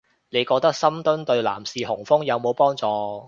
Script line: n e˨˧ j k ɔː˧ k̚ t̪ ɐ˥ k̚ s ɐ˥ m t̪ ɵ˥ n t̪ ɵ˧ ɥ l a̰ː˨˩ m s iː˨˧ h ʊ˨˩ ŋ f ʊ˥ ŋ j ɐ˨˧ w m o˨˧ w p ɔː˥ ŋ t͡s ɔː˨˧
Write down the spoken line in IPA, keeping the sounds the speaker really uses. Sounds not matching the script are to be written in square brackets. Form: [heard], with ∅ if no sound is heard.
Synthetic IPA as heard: n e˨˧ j k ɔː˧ k̚ t̪ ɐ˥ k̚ s ɐ˥ m t̪ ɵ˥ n t̪ ɵ˧ ɥ l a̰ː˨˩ m s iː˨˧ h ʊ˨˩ ŋ f ʊ˥ ŋ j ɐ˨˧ w m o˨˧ w p ɔː˥ ŋ t͡s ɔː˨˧